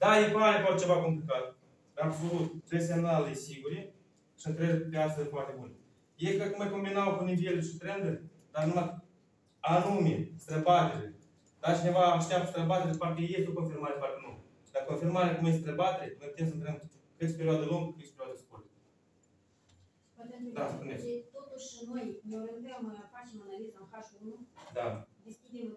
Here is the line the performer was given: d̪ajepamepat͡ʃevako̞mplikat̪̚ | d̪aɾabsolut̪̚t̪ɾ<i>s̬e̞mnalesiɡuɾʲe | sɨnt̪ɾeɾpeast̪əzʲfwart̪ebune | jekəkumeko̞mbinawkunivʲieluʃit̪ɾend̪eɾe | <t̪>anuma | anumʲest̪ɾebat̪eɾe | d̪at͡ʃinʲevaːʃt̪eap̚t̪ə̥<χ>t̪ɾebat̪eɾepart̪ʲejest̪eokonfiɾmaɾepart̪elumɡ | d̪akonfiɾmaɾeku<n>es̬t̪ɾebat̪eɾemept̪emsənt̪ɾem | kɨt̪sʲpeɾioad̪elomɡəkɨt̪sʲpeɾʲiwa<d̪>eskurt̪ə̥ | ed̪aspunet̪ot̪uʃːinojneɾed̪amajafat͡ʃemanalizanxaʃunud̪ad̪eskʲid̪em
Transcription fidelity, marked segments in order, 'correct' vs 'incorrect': incorrect: e, incorrect: d̪, incorrect: s, incorrect: m, correct

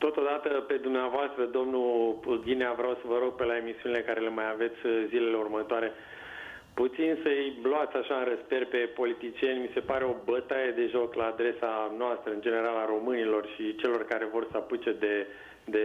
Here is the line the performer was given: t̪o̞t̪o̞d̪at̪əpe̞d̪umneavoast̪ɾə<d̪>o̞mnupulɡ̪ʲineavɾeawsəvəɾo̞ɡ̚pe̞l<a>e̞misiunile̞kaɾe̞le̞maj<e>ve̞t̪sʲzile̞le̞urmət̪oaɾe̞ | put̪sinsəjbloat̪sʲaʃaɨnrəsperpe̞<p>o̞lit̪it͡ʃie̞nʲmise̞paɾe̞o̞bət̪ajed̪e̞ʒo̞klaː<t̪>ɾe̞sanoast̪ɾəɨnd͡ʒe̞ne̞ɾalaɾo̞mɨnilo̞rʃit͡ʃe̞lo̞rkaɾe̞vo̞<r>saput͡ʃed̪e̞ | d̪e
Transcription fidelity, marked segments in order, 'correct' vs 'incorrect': correct, correct, incorrect: a, correct, incorrect: d̪, correct

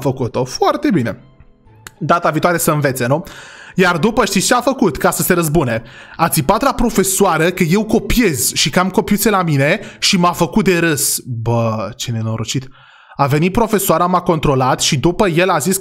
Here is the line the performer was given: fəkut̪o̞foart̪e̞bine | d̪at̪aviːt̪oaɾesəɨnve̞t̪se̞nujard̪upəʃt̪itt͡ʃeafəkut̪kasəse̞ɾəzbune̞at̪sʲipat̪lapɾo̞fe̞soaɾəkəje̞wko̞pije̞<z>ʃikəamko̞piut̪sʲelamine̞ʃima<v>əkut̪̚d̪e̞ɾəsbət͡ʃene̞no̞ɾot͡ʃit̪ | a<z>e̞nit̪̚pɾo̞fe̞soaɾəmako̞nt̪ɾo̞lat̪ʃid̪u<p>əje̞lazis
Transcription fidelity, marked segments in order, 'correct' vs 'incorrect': correct, incorrect: f, incorrect: v, correct

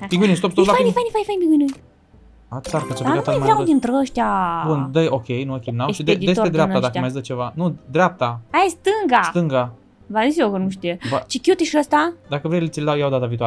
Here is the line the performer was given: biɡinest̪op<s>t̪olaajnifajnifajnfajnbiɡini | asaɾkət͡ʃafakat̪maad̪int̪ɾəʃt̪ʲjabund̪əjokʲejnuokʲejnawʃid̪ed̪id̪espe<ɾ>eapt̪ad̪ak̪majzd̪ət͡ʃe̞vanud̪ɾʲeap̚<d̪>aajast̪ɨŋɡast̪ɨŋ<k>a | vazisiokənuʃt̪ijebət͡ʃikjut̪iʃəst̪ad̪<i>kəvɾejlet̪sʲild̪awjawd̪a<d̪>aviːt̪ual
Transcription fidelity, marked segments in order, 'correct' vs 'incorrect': correct, correct, incorrect: t̪, incorrect: ɡ, incorrect: a, incorrect: t̪

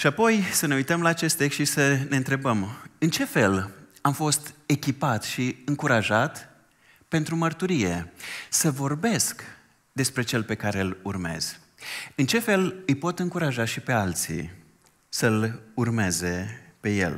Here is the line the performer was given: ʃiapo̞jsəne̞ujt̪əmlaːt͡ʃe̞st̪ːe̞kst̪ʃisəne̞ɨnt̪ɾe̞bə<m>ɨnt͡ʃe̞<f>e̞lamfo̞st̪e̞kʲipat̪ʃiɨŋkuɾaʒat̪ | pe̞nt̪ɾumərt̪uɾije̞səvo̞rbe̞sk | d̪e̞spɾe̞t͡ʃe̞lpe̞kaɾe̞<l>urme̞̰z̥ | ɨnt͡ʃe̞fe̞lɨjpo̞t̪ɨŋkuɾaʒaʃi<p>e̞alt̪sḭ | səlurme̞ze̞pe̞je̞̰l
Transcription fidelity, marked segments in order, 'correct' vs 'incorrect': correct, correct, correct, correct

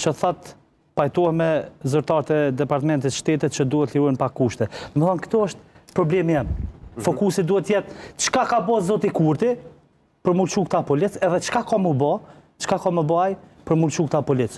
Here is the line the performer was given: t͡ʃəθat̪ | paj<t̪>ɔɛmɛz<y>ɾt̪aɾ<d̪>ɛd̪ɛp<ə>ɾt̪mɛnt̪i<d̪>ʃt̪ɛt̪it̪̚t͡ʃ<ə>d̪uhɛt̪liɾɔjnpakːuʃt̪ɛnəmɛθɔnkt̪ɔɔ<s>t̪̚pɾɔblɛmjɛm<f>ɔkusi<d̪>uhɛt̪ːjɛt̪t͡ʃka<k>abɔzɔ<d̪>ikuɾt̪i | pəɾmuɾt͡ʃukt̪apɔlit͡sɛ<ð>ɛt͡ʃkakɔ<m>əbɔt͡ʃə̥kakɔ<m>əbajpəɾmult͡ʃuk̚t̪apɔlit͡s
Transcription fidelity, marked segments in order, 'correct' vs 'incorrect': correct, correct, incorrect: t̪, incorrect: a, incorrect: t̪, correct, incorrect: ʃ, correct, correct, correct, incorrect: t̪, correct, correct, correct

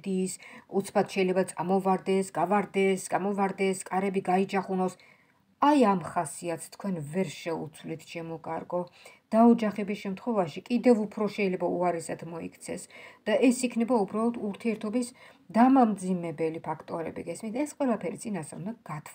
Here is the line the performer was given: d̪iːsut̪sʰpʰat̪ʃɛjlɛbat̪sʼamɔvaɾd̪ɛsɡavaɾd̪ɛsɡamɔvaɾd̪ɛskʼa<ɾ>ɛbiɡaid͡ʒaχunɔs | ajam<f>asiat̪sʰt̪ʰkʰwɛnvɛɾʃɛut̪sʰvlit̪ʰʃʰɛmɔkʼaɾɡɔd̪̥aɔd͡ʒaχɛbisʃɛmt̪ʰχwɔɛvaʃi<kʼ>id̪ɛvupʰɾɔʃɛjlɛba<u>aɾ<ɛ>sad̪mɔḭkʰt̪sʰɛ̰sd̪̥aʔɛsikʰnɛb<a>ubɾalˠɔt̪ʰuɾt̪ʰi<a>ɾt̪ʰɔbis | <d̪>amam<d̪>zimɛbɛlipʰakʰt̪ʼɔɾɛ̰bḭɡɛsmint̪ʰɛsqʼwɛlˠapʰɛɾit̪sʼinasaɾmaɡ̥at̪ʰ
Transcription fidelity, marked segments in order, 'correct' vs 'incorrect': correct, incorrect: χ, correct, correct, correct, correct, incorrect: ɛ, correct, correct

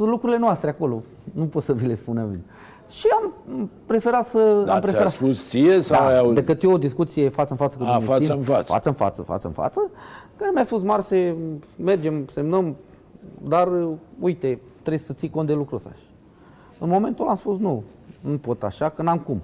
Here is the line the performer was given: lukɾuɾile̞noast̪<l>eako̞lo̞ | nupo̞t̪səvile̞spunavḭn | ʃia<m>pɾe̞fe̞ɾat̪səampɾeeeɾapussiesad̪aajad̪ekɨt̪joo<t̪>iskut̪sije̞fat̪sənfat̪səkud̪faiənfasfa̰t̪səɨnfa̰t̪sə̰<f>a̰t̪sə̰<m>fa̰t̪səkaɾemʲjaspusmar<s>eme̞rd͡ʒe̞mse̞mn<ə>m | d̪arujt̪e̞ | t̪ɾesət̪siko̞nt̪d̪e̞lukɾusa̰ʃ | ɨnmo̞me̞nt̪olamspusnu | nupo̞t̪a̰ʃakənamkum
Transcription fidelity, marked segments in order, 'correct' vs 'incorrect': incorrect: ɾ, correct, incorrect: d̪, correct, incorrect: n, correct, correct

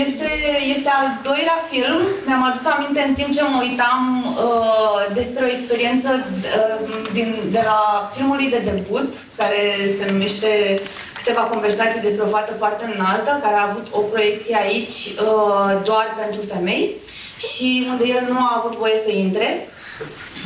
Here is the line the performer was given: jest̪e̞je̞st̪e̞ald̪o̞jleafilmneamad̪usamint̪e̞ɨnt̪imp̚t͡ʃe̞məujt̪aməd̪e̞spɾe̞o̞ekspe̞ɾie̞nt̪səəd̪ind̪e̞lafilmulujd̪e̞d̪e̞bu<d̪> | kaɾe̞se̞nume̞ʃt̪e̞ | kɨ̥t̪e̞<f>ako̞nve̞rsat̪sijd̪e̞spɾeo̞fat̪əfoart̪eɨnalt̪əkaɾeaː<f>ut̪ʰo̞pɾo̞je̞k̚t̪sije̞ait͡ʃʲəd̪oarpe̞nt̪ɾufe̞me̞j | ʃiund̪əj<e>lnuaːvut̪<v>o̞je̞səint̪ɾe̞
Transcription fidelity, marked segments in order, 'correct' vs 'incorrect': incorrect: t̪, incorrect: v, incorrect: v, correct, correct

